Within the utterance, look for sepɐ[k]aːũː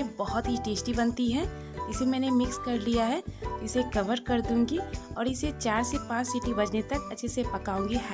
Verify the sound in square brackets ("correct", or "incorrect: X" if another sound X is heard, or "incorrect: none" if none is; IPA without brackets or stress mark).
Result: correct